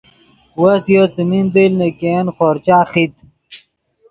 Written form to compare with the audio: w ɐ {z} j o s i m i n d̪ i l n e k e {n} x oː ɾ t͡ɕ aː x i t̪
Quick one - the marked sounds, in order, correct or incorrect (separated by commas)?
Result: incorrect, correct